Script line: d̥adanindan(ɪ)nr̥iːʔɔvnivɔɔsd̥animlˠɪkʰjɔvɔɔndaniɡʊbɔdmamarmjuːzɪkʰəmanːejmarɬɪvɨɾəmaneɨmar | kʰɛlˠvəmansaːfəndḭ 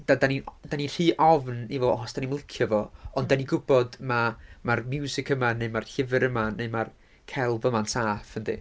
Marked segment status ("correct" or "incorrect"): incorrect